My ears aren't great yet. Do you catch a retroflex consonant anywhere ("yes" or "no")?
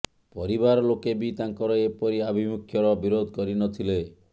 no